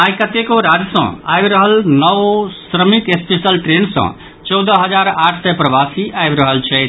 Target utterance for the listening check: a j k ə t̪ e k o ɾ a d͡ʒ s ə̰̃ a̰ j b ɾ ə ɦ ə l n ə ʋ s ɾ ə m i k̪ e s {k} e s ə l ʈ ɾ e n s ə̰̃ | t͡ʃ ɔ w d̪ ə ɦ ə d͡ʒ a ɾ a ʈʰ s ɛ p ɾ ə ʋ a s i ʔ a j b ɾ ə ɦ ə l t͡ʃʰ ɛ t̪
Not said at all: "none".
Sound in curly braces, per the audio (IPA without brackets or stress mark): p